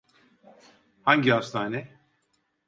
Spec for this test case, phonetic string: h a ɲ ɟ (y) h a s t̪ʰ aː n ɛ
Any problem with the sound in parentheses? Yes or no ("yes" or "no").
yes